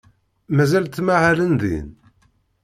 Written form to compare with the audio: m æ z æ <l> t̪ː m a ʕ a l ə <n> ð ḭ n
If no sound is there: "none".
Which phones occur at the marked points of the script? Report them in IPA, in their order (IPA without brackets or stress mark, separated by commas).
l, n